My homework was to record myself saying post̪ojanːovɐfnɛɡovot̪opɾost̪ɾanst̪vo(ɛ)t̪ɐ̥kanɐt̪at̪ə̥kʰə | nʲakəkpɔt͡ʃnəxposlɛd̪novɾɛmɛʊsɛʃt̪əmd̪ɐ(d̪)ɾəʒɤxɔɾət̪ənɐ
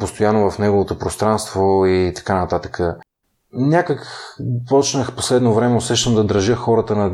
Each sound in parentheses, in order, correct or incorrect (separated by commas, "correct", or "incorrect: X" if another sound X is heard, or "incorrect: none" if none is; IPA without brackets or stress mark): incorrect: i, correct